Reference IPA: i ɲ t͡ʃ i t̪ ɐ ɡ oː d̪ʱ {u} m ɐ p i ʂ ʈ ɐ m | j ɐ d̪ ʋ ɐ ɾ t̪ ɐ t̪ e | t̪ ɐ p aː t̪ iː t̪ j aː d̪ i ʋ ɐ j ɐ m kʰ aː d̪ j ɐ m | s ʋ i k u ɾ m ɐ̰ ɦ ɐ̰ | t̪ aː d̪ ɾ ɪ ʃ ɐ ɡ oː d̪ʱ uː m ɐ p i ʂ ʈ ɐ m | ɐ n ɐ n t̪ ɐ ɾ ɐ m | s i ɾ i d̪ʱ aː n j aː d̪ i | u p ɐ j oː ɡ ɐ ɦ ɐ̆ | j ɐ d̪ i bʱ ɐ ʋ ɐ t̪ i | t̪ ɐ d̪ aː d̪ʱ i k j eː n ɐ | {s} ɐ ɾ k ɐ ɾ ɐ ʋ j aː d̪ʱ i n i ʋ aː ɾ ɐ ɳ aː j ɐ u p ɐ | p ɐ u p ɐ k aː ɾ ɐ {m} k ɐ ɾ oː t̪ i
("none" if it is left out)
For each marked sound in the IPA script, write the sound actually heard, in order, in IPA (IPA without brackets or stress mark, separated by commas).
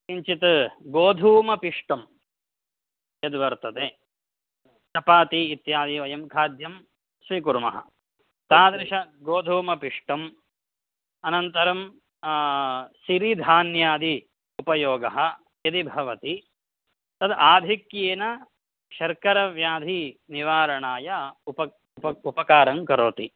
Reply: uː, ʃ, ŋ